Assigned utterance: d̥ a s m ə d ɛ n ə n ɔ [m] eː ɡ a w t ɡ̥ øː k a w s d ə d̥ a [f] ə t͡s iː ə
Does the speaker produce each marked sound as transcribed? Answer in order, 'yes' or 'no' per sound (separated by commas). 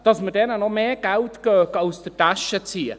yes, no